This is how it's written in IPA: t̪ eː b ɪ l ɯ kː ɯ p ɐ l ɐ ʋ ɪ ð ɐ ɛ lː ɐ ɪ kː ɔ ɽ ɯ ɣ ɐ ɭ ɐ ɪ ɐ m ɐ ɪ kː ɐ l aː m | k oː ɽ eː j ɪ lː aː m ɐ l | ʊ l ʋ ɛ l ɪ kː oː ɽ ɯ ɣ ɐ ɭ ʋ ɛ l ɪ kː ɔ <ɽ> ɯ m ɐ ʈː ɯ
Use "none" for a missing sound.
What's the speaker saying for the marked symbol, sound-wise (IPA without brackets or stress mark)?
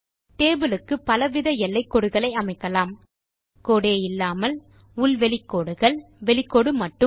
ɽ